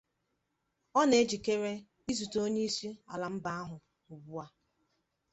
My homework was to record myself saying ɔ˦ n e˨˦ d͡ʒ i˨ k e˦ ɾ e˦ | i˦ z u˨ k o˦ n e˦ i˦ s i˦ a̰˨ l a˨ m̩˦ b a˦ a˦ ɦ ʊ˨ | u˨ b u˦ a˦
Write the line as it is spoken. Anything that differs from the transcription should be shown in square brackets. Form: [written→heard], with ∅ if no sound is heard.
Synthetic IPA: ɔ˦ n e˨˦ d͡ʒ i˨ k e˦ ɾ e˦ | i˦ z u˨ [k→t] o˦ [n→ɲ] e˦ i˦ s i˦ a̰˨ l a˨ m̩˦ b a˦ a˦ ɦ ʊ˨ | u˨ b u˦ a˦